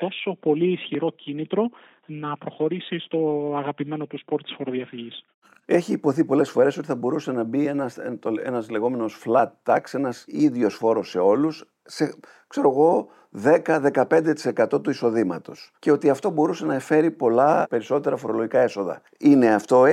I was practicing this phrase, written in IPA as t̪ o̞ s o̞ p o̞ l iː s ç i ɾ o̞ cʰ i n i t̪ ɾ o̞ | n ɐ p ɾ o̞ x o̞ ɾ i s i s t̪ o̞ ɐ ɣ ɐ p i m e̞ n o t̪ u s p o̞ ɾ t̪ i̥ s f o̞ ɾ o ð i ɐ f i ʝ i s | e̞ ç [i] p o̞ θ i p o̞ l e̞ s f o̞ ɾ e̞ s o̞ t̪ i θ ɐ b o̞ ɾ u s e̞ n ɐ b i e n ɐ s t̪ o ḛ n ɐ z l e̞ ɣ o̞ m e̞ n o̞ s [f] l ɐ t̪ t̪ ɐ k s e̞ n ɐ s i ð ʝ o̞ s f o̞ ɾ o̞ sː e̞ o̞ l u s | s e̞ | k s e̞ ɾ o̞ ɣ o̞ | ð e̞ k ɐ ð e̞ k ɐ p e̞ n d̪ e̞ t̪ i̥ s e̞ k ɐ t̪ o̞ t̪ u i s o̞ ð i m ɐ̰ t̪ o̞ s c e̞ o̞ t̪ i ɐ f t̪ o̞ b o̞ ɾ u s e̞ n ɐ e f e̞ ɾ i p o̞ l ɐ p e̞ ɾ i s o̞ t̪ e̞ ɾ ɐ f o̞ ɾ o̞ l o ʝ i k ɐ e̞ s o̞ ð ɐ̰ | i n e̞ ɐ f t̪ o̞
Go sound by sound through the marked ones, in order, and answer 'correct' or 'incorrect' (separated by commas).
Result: incorrect, correct